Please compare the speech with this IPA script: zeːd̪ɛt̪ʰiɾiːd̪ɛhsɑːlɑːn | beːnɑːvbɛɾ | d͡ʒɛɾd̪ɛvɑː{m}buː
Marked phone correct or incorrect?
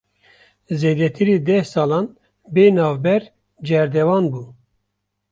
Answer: incorrect